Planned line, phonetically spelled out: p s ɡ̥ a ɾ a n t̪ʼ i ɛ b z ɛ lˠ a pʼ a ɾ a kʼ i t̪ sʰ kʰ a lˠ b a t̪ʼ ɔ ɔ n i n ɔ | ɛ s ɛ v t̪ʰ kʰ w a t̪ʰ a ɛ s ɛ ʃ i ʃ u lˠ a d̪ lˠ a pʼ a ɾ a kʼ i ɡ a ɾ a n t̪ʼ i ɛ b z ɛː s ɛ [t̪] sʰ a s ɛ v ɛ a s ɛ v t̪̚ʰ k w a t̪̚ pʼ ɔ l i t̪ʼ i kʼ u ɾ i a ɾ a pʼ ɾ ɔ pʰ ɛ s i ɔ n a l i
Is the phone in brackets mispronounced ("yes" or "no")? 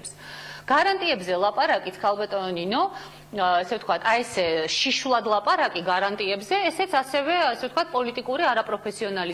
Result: no